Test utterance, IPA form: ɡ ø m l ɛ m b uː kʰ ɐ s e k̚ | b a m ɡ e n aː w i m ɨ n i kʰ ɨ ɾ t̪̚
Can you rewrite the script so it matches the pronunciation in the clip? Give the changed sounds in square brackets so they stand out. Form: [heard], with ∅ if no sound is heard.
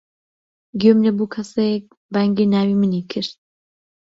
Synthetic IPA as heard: ɡ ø m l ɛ [∅] b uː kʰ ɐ s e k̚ | b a [ŋ] ɡ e n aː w i m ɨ n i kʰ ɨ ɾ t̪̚